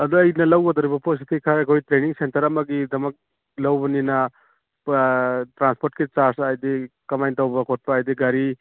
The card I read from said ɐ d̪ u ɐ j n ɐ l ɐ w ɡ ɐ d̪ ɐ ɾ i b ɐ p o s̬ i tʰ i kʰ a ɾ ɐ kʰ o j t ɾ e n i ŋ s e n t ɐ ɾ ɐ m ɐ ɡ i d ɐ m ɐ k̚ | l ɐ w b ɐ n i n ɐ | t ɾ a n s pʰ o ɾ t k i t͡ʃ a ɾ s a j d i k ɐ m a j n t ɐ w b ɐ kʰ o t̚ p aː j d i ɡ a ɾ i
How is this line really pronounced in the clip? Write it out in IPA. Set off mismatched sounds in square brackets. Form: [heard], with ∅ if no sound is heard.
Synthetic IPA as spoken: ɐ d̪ u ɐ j n ɐ l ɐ w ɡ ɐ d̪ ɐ ɾ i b ɐ p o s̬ i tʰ i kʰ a ɾ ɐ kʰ o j t ɾ e n i ŋ s e n t ɐ ɾ ɐ m ɐ ɡ i d ɐ m ɐ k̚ | l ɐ w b ɐ n i n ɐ | t ɾ a n s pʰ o ɾ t k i t͡ʃ a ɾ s a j d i k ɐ m a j n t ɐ w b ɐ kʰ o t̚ p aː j d i ɡ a ɾ i

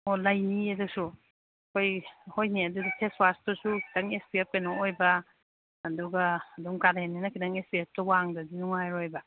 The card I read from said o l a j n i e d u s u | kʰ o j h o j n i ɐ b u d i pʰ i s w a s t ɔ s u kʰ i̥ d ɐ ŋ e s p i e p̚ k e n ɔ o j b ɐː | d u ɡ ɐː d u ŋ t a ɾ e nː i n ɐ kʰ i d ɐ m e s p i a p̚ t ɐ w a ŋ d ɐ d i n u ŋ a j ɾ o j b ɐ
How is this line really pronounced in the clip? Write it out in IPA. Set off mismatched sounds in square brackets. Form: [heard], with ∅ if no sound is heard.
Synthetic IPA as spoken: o l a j n i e d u s u | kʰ o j h o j n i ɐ [d] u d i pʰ [e] s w a s t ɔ s u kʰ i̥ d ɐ ŋ e s p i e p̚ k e n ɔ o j b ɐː | d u ɡ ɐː d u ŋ [k] a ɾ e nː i n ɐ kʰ i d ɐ [ŋ] e s p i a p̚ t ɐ w a ŋ d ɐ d i n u ŋ a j ɾ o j b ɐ

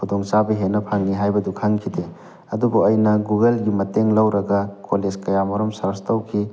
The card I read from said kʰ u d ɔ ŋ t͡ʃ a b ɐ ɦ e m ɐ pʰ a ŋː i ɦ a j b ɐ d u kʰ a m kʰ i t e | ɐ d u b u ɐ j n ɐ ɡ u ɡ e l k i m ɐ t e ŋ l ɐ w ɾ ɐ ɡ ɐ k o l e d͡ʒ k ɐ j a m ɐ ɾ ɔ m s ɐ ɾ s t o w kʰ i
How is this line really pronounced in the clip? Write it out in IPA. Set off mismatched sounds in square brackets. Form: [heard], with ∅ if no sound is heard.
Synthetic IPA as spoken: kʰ u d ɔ ŋ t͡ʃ a b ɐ ɦ e [n] ɐ pʰ a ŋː i ɦ a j b ɐ d u kʰ a [ŋ] kʰ i [d] e | ɐ d u b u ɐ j n ɐ ɡ u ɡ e l [ɡ] i m ɐ t e ŋ l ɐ w ɾ ɐ ɡ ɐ k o l e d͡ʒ k ɐ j a m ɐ ɾ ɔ m s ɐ ɾ s t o w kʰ i

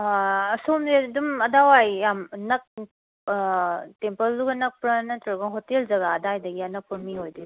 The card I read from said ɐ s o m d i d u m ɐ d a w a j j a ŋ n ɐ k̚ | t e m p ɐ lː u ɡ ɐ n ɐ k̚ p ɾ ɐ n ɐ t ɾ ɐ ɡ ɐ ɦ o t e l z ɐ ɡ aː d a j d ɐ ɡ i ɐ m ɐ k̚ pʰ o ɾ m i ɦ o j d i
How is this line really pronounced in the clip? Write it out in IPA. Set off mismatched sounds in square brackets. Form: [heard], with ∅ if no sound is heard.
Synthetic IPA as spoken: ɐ s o m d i d u m ɐ d a w a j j a [m] n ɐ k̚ | t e m p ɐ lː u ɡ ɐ n ɐ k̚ p ɾ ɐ n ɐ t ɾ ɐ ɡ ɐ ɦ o t e l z ɐ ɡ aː d a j d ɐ ɡ i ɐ [n] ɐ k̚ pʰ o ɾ m i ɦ o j d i

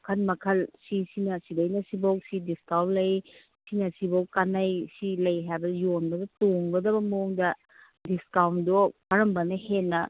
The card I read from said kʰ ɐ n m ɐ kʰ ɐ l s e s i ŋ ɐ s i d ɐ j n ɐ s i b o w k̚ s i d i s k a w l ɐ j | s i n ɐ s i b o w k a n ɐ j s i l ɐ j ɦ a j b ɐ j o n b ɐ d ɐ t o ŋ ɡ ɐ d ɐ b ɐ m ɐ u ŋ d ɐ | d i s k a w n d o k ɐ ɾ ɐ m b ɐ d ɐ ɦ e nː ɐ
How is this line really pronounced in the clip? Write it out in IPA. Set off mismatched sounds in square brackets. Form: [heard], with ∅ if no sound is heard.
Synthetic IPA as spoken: kʰ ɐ n m ɐ kʰ ɐ l s [i] s i [n] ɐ s i d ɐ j n ɐ s i b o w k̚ s i d i s k a w l ɐ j | s i n ɐ s i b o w k a n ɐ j s i l ɐ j ɦ a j b ɐ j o n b ɐ d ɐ t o ŋ ɡ ɐ d ɐ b ɐ m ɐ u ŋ d ɐ | d i s k a w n d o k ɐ ɾ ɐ m b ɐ [n] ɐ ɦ e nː ɐ

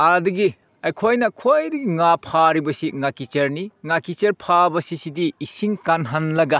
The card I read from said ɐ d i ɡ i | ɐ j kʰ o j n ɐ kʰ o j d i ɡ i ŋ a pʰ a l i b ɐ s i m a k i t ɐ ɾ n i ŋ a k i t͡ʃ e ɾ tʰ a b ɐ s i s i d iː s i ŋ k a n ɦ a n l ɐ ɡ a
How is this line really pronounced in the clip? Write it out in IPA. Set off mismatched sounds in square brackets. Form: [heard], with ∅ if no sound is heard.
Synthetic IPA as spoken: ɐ d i ɡ i | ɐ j kʰ o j n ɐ kʰ o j d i ɡ i ŋ a pʰ a [ɾ] i b ɐ s i [ŋ] a k i [t͡ʃ] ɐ ɾ n i ŋ a k i t͡ʃ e ɾ [pʰ] a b ɐ s i s i d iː s i ŋ k a n ɦ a n l ɐ ɡ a

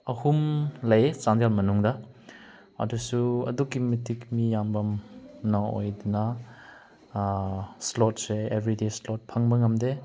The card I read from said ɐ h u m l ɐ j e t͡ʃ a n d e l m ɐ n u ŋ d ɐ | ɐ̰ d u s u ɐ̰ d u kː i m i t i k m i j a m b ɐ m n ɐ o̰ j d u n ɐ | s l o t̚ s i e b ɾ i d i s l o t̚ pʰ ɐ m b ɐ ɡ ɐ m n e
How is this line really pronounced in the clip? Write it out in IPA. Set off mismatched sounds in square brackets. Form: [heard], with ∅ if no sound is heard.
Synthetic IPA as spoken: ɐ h u m l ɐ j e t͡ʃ a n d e l m ɐ n u ŋ d ɐ | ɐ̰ d u s u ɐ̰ d u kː i m i t i k m i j a m b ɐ m n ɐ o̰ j d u n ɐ | s l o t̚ s [e] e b ɾ i d [e] s l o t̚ pʰ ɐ [ŋ] b ɐ [ŋ] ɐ m [d] e

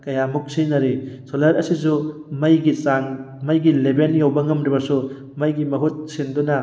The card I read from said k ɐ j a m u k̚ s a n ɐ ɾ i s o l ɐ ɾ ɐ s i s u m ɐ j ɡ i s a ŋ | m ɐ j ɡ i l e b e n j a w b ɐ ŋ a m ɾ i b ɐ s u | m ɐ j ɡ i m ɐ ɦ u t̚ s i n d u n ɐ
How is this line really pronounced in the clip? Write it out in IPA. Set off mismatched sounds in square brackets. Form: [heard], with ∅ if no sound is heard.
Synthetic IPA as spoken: k ɐ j a m u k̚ s [i] n ɐ ɾ i s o l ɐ ɾ ɐ s i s u m ɐ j ɡ i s a ŋ | m ɐ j ɡ i l e b e n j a w b ɐ ŋ [ɐ] m ɾ i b ɐ s u | m ɐ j ɡ i m ɐ ɦ u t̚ s i n d u n ɐ

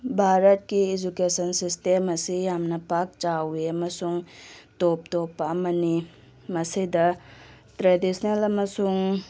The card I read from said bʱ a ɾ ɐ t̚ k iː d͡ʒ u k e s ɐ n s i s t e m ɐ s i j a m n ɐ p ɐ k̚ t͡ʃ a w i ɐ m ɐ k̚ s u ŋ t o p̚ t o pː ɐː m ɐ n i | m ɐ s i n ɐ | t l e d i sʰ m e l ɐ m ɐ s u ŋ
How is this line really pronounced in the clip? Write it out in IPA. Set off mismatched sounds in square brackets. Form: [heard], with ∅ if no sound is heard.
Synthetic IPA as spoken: bʱ a ɾ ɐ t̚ k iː d͡ʒ u k e s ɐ n s i s t e m ɐ s i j a m n ɐ p [a] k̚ t͡ʃ a w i ɐ m ɐ [∅] s u ŋ t o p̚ t o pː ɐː m ɐ n i | m ɐ s i [d] ɐ | t [ɾ] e d i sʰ [n] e l ɐ m ɐ s u ŋ

